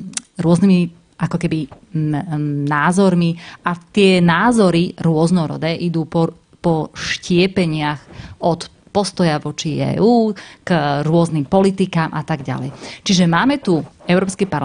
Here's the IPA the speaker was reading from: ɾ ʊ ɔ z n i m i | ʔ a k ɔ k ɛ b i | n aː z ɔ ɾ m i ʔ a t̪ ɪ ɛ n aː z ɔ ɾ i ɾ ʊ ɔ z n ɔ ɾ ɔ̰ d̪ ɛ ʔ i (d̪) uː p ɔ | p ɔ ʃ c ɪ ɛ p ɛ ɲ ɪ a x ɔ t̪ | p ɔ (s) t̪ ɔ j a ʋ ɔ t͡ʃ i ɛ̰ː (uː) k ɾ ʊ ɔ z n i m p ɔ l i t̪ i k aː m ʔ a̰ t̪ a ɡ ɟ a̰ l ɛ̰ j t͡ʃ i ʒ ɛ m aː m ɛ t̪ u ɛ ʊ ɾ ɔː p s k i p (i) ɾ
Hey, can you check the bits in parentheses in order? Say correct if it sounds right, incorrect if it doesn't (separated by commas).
correct, correct, correct, incorrect